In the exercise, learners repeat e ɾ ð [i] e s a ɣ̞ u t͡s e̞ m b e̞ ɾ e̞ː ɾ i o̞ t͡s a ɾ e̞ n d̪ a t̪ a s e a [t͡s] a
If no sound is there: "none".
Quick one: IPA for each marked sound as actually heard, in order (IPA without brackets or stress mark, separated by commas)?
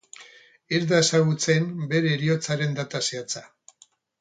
a, t͡s